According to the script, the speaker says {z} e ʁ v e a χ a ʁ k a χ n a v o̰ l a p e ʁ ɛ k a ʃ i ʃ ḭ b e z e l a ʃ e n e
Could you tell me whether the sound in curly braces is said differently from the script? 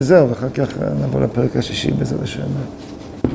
no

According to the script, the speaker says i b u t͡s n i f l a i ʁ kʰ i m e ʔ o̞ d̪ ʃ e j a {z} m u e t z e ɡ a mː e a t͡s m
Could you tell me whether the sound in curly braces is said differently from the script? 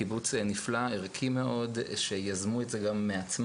no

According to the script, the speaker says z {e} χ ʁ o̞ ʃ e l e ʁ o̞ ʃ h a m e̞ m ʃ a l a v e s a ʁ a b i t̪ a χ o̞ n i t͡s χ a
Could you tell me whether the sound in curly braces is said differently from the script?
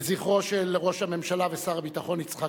yes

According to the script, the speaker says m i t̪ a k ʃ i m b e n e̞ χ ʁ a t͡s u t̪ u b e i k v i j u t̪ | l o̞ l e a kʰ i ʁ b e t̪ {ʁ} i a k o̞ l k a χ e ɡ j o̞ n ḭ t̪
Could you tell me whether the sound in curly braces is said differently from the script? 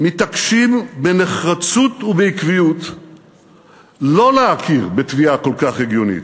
yes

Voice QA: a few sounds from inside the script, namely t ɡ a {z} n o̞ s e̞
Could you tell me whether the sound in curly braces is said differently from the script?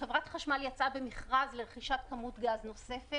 no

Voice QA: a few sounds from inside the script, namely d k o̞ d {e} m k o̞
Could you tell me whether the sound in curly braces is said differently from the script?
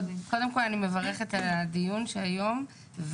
no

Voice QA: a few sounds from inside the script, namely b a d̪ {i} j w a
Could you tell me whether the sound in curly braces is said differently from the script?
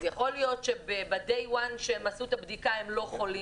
yes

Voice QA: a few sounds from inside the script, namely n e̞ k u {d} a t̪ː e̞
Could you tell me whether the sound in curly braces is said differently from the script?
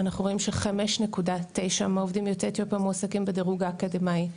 no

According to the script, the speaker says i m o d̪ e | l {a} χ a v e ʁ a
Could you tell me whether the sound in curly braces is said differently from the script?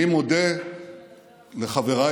yes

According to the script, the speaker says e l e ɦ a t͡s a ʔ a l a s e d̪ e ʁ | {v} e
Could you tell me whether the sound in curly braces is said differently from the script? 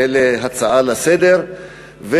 no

